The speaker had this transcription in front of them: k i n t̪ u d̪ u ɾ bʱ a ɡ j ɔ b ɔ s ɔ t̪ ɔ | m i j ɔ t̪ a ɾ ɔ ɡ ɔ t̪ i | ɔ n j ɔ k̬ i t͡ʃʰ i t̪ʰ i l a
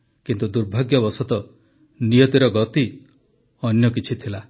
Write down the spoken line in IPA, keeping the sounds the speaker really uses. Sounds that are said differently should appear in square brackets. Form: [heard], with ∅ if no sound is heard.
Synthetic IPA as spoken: k i n t̪ u d̪ u ɾ bʱ a ɡ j ɔ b ɔ s ɔ t̪ ɔ | [n] i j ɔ t̪ [i] ɾ ɔ ɡ ɔ t̪ i | ɔ n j ɔ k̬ i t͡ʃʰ i t̪ʰ i l a